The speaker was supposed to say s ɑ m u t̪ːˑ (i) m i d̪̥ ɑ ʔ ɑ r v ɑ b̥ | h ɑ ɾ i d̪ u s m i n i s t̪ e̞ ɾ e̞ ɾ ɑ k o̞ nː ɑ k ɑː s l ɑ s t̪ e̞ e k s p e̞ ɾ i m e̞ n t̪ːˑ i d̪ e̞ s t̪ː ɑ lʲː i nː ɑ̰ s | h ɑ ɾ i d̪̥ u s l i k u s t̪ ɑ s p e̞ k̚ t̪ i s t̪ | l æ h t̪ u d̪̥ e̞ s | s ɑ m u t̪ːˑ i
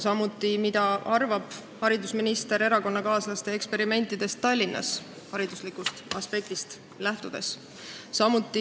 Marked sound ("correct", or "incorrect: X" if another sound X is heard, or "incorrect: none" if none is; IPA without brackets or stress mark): correct